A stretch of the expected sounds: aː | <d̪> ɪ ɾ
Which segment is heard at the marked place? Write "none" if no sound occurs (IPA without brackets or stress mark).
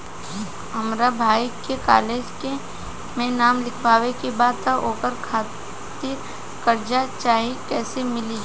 t̪